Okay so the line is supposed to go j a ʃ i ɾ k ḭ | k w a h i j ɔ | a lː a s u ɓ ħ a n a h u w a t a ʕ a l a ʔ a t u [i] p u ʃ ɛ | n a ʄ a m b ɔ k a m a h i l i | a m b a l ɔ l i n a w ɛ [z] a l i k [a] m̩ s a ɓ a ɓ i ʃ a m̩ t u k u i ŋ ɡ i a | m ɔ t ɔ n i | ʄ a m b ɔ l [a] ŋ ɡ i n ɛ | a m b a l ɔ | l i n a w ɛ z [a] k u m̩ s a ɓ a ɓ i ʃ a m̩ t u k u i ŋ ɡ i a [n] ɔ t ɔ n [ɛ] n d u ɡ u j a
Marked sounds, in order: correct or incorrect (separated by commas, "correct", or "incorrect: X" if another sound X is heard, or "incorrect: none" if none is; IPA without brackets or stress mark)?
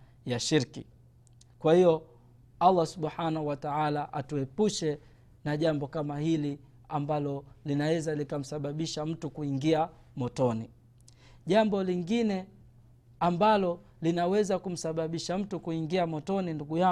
incorrect: ɛ, correct, correct, incorrect: i, correct, incorrect: m, incorrect: i